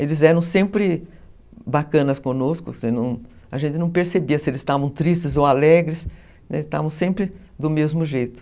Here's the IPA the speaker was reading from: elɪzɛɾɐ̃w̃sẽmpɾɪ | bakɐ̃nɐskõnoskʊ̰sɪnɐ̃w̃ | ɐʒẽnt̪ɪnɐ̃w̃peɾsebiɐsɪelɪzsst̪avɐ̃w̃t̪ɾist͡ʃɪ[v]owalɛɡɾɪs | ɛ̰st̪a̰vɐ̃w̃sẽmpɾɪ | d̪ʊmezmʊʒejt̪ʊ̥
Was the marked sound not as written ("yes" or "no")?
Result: yes